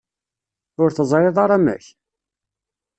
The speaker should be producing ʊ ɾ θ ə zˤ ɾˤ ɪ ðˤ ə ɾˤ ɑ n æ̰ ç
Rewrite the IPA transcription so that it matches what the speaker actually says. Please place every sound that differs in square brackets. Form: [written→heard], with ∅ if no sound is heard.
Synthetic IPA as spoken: ʊ ɾ θ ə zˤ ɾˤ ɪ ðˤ [ə→ɑ] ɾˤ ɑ [n→m] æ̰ ç